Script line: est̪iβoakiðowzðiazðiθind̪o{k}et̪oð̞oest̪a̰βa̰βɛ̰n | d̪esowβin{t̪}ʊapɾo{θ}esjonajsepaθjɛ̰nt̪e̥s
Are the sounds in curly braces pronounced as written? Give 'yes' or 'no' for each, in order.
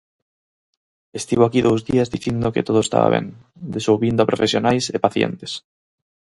yes, no, no

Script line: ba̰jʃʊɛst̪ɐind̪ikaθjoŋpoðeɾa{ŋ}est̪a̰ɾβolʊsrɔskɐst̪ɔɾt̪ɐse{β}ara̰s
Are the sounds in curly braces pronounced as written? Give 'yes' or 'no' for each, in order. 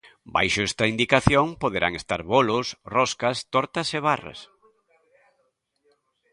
yes, yes

